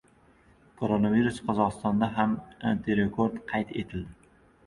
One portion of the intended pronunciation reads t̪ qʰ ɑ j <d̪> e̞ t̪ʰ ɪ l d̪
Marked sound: incorrect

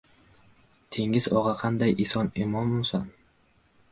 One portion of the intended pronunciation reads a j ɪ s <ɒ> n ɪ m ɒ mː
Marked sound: correct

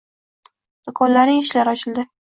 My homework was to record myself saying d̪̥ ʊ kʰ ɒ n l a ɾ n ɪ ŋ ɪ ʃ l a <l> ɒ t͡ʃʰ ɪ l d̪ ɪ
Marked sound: incorrect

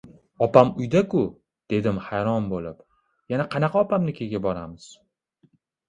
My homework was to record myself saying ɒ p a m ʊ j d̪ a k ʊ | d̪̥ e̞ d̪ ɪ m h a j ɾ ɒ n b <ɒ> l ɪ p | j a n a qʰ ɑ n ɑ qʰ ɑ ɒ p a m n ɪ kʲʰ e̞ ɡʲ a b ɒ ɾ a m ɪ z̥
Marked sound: incorrect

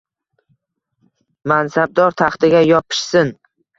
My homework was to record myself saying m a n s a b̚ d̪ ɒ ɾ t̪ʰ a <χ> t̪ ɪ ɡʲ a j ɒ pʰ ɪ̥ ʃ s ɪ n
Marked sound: correct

